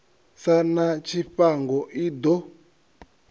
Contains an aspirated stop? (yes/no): no